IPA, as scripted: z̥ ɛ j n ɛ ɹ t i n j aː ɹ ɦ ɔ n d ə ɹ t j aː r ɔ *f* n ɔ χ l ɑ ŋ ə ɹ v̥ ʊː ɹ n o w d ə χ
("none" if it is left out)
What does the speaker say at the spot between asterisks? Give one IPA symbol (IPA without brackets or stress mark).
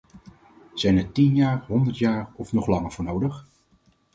f